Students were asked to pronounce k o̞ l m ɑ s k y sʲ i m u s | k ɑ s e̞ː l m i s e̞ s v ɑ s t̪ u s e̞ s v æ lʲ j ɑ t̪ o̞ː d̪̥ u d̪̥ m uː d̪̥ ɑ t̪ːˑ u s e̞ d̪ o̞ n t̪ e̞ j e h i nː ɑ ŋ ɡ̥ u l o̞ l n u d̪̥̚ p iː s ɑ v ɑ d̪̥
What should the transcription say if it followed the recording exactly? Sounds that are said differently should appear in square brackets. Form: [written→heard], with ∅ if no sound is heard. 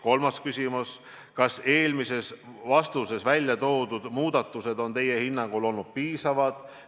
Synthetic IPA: k o̞ l m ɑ s k y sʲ i m u s | k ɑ s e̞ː l m i s e̞ s v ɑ s t̪ u s e̞ s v æ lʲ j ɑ t̪ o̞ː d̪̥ u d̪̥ m uː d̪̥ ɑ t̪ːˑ u s e̞ d̪ o̞ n t̪ e̞ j e h i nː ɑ ŋ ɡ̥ u l o̞ l n u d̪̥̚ p iː s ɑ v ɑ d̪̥